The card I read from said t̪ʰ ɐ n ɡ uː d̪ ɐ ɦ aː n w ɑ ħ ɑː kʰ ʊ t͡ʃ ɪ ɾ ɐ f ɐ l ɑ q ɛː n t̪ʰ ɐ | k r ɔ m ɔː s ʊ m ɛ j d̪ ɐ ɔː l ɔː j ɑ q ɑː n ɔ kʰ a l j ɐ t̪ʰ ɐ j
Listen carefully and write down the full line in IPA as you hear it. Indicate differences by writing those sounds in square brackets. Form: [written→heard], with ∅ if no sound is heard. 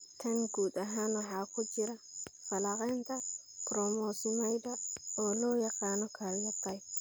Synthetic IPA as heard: t̪ʰ ɐ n ɡ uː d̪ ɐ ɦ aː n w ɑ ħ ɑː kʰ ʊ t͡ʃ ɪ ɾ ɐ f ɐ l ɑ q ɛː n t̪ʰ ɐ | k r ɔ m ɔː s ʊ m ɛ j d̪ ɐ ɔː l ɔː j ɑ q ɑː n ɔ kʰ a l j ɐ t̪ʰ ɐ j

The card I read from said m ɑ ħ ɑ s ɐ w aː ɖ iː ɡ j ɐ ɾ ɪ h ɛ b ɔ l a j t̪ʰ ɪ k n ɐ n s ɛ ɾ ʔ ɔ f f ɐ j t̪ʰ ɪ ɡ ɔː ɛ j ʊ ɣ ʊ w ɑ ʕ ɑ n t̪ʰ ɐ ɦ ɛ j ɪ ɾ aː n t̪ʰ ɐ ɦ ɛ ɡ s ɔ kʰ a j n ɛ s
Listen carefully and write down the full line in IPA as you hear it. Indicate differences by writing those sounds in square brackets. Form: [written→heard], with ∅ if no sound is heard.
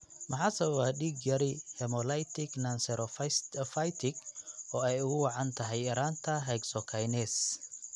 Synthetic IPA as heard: m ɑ ħ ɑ s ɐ w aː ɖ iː ɡ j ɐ ɾ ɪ h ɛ [b→m] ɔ l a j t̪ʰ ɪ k n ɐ n s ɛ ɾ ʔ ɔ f f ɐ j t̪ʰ ɪ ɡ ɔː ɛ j ʊ ɣ ʊ w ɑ ʕ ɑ n t̪ʰ ɐ ɦ ɛ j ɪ ɾ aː n t̪ʰ ɐ ɦ ɛ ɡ s ɔ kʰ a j n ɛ s

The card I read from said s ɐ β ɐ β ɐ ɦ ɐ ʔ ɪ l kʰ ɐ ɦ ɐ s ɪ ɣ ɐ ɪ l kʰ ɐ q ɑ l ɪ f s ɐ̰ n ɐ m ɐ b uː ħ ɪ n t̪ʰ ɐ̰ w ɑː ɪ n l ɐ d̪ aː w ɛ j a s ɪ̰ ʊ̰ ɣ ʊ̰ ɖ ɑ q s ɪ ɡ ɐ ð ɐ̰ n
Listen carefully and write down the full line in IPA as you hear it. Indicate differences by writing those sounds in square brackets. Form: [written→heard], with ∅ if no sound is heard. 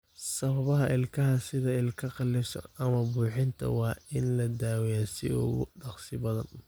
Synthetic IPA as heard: s ɐ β ɐ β ɐ ɦ ɐ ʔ ɪ l kʰ ɐ ɦ ɐ s ɪ [ɣ→ð] ɐ ɪ l kʰ ɐ q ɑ l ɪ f s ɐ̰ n ɐ m ɐ b uː ħ ɪ n t̪ʰ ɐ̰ w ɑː ɪ n l ɐ d̪ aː w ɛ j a s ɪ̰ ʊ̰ ɣ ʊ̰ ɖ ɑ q s ɪ [ɡ→b] ɐ ð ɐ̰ n

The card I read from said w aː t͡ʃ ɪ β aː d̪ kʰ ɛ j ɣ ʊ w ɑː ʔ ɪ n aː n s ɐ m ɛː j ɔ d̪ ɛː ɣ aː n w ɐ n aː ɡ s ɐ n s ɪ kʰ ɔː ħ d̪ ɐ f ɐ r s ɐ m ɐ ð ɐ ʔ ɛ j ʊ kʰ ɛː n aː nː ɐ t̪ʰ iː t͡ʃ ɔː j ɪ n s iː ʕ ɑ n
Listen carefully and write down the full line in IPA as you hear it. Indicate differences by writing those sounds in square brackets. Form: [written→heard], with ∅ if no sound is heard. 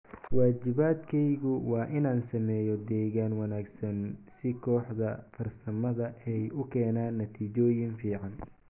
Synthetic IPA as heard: w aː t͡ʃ ɪ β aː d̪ kʰ ɛ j ɣ ʊ w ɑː ʔ ɪ n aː n s ɐ m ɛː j ɔ d̪ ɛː ɣ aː n w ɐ n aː ɡ s ɐ n s ɪ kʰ ɔː ħ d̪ ɐ f ɐ r s ɐ m ɐ ð ɐ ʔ ɛ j ʊ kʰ ɛː n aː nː ɐ t̪ʰ iː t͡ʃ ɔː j ɪ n [s→f] iː ʕ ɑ n

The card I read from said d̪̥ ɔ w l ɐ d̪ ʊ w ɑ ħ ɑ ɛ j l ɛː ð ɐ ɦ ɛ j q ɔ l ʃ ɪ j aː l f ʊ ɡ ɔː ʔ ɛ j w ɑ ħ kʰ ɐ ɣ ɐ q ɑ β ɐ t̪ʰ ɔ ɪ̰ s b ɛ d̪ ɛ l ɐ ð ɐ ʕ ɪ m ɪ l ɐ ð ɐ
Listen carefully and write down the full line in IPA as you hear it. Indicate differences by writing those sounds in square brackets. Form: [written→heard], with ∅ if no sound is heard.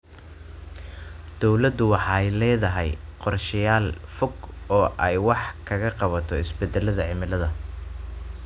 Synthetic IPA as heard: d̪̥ ɔ w l ɐ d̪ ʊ w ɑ ħ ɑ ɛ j l ɛː ð ɐ ɦ ɛ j q ɔ [l→r] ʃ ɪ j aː l f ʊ ɡ ɔː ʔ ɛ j w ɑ ħ kʰ ɐ ɣ ɐ q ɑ β ɐ t̪ʰ ɔ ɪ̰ s b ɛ d̪ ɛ l ɐ ð ɐ ʕ ɪ m ɪ l ɐ ð ɐ

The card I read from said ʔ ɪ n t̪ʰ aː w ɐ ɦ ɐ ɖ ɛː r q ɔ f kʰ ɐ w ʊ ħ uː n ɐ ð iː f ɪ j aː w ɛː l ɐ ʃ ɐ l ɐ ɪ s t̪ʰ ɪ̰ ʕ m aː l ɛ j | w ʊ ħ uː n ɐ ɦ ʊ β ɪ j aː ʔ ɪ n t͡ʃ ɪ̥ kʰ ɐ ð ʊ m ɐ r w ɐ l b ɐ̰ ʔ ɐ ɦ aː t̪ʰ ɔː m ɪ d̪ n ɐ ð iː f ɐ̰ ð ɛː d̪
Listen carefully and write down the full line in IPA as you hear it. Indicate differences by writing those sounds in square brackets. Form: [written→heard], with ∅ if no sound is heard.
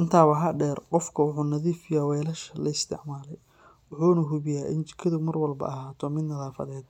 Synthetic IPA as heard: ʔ ɪ n t̪ʰ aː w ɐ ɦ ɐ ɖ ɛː r q ɔ f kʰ ɐ w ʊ ħ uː n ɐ ð iː f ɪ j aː w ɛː l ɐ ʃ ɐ l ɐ ɪ s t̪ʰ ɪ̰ ʕ m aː l ɛ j | w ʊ ħ uː n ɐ ɦ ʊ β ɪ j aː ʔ ɪ n t͡ʃ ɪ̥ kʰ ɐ ð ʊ m ɐ r w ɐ l b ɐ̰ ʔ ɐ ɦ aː t̪ʰ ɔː m ɪ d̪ n ɐ ð [iː→aː] f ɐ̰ ð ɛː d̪

